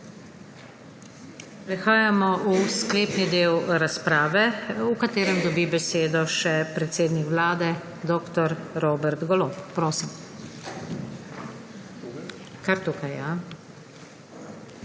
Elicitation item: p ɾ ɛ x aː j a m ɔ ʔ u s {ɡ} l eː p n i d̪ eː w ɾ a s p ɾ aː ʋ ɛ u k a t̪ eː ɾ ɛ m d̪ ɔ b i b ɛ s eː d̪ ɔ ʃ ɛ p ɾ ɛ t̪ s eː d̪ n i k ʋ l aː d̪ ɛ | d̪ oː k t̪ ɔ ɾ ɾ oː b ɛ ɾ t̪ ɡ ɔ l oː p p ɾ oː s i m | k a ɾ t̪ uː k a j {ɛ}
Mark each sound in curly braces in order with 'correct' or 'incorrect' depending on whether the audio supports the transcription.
incorrect: k, incorrect: a

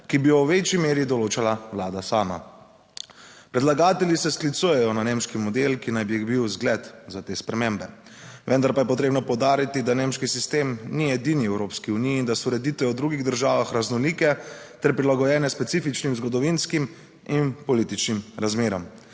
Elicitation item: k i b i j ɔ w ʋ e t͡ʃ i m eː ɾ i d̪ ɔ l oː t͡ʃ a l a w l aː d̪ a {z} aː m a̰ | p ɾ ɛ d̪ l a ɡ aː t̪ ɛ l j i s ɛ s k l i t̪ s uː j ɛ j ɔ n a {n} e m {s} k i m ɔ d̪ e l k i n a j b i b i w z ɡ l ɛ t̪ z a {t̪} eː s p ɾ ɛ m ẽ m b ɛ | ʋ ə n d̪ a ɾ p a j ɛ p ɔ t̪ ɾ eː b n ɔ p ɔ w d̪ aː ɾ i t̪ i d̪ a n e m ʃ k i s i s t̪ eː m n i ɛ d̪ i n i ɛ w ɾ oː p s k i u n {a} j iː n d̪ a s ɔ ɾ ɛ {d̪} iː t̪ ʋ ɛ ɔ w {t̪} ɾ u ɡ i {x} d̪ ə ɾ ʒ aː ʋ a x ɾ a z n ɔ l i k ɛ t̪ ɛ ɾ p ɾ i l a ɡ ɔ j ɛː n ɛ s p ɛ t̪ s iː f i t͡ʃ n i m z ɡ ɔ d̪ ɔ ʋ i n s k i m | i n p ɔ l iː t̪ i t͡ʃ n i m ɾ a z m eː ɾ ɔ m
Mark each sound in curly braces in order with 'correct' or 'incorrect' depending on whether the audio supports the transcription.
incorrect: s, correct, incorrect: ʃ, correct, incorrect: i, correct, incorrect: d̪, incorrect: ɣ

